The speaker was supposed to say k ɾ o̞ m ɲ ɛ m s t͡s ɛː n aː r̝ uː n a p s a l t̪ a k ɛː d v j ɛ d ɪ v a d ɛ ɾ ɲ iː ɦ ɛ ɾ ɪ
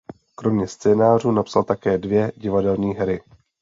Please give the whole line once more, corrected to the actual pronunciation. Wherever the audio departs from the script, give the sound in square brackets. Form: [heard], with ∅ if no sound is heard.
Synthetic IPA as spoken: k ɾ o̞ m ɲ ɛ [∅] s t͡s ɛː n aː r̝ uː n a p s a l t̪ a k ɛː d v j ɛ [ɟ] ɪ v a d ɛ [l] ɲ iː ɦ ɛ ɾ ɪ